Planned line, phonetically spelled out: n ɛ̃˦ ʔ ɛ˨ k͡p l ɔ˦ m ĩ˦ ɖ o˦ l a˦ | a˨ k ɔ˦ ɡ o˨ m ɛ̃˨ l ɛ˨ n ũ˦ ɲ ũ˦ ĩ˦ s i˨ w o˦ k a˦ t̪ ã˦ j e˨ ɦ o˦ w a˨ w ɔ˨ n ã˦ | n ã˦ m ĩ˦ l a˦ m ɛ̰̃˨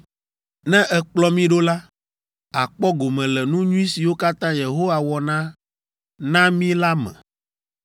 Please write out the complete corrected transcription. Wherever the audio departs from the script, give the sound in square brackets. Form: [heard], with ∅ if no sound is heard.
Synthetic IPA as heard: n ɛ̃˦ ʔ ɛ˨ k͡p l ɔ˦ m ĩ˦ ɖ o˦ l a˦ | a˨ [k͡p] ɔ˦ ɡ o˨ m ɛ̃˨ l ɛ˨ n ũ˦ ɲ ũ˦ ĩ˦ s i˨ w o˦ k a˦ t̪ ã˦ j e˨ ɦ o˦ w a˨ w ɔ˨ n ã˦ | n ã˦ m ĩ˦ l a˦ m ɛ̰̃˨

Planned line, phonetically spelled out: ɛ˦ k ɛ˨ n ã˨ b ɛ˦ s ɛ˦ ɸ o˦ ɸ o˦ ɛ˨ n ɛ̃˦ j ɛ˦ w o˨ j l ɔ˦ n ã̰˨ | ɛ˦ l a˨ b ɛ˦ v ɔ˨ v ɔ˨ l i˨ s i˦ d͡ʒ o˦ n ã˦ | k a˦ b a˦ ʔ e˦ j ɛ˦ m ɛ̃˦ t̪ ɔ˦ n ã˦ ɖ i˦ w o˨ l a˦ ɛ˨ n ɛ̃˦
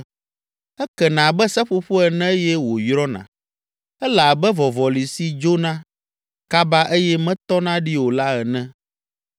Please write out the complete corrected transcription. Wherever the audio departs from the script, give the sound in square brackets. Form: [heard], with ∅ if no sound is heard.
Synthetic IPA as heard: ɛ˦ k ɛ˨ n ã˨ b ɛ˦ s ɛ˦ ɸ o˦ ɸ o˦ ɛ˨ n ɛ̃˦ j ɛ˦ w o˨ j [ɾ] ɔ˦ n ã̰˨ | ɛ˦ l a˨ b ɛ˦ v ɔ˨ v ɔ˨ l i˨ s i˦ d͡ʒ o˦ n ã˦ | k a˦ b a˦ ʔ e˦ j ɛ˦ m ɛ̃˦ t̪ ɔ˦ n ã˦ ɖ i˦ w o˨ l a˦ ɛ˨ n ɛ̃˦

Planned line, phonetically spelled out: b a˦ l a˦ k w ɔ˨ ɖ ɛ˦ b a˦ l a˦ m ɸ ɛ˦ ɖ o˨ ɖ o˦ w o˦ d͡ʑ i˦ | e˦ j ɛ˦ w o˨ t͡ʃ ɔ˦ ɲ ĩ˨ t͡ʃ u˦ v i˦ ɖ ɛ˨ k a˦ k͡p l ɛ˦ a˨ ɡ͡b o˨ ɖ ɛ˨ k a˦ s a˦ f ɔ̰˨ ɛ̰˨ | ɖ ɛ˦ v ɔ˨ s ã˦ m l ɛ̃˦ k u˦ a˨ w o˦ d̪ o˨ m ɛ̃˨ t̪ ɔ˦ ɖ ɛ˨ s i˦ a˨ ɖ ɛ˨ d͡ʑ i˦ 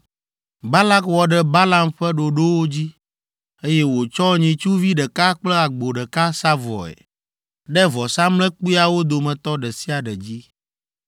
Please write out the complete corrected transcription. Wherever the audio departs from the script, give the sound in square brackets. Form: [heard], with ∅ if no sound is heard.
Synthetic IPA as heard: b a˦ l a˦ k w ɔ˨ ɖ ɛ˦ b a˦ l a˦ m ɸ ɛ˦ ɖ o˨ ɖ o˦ w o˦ d͡ʑ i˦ | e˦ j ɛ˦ w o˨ t͡ʃ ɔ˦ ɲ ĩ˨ t͡ʃ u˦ v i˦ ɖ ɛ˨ k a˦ k͡p l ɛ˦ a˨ ɡ͡b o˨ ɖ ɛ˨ k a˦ s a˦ [v] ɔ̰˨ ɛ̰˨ | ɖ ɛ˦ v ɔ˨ s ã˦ m l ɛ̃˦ [k͡p] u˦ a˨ w o˦ d̪ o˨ m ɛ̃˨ t̪ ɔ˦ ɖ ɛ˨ s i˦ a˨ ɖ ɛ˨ d͡ʑ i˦

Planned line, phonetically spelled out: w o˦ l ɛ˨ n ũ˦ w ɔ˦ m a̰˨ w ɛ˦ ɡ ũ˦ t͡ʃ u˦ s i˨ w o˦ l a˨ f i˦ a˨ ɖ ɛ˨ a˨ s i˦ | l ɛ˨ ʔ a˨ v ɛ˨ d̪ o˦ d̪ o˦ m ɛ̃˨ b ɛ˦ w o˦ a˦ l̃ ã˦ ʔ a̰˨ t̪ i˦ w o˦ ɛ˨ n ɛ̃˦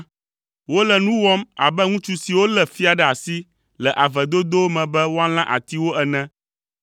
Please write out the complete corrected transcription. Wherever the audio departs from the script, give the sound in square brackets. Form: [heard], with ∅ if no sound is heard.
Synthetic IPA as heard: w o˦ l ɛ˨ n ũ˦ w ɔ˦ m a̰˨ [b] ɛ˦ [ŋ] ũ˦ t͡ʃ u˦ s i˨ w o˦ l [ɛ˨] f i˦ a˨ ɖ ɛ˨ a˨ s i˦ | l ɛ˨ ʔ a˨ v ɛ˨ d̪ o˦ d̪ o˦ m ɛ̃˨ b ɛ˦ w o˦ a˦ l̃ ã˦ ʔ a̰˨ t̪ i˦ w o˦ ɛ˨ n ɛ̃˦

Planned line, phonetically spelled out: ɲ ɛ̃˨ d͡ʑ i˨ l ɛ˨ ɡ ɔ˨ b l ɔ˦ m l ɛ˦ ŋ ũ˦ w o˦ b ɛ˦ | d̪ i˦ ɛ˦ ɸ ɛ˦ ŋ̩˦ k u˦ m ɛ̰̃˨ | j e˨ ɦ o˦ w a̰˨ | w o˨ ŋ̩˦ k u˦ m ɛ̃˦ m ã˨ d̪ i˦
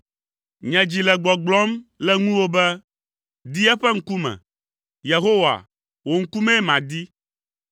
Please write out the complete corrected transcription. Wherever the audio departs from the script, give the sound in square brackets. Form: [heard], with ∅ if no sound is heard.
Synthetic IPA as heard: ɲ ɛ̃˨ d͡ʑ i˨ l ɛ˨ [ɡ͡b] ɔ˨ [ɡ͡b] l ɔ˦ m l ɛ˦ ŋ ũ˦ w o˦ b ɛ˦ | d̪ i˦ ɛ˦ ɸ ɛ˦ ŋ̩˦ k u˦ m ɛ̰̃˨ | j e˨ ɦ o˦ w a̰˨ | w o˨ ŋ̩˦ k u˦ m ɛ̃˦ m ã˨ d̪ i˦

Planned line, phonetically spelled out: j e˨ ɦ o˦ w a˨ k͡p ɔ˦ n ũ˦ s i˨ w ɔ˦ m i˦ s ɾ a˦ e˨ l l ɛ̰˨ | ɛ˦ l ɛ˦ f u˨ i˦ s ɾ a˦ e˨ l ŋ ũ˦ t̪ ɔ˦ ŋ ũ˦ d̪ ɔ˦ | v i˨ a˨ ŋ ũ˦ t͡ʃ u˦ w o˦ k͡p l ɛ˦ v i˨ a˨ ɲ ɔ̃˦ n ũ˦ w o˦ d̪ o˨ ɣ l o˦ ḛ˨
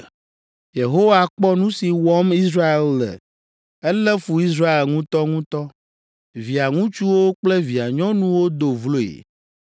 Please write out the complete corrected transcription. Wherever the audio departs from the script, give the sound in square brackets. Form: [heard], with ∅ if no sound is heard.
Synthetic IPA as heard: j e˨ ɦ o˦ w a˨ k͡p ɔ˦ n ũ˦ s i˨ w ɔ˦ m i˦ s ɾ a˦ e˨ l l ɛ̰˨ | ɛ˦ l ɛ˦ f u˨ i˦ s ɾ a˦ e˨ l ŋ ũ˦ t̪ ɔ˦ ŋ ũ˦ [t̪] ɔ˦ | v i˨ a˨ ŋ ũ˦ t͡ʃ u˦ w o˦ k͡p l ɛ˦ v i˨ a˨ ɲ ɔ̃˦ n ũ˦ w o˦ d̪ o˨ [v] l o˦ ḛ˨

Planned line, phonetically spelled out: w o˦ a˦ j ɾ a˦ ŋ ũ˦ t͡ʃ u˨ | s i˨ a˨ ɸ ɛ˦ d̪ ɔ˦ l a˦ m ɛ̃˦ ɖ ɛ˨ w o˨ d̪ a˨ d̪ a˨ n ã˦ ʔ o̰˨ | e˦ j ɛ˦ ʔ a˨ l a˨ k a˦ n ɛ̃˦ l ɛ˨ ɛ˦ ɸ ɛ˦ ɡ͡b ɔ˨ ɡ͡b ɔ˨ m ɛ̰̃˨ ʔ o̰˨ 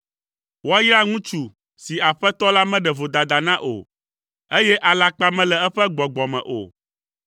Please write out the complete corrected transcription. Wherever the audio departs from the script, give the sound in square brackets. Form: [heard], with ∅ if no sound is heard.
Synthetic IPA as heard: w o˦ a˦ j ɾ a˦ ŋ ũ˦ t͡ʃ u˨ | s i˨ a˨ ɸ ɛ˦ [t̪] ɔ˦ l a˦ m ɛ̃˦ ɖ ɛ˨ [v] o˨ d̪ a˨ d̪ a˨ n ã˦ ʔ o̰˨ | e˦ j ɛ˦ ʔ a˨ l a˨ [k͡p] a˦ [m] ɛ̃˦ l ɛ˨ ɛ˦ ɸ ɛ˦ ɡ͡b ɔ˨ ɡ͡b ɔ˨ m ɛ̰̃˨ ʔ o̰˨

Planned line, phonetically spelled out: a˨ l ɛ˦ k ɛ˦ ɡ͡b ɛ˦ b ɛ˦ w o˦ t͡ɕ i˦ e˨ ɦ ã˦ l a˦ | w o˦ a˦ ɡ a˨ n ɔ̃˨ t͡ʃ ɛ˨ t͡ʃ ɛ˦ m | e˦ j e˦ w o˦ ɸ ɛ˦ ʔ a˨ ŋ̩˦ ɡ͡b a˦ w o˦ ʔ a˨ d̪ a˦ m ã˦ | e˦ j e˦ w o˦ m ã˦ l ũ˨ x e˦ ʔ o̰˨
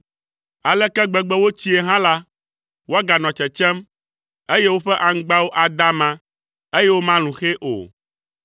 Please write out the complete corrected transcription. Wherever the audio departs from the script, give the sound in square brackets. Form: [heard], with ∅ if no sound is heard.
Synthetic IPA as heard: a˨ l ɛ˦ k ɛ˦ ɡ͡b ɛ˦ [ɡ͡b] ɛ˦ w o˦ t͡ɕ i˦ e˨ ɦ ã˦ l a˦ | w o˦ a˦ ɡ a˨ n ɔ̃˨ t͡ʃ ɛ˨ t͡ʃ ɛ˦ m | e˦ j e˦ w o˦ ɸ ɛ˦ ʔ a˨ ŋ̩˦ ɡ͡b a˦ w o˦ ʔ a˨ d̪ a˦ m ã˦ | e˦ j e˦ w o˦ m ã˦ l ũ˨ x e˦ ʔ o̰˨

